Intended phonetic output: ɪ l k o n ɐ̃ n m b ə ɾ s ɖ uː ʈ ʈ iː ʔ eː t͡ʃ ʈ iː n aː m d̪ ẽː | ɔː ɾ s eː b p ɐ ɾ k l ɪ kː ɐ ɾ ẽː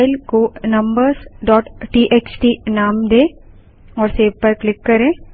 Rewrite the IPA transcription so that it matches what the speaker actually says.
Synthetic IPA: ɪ l k o n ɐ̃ m b ə ɾ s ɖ ɔː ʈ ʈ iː ʔ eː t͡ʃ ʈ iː n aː m d̪ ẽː | ɔː ɾ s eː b p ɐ ɾ k l ɪ kː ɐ ɾ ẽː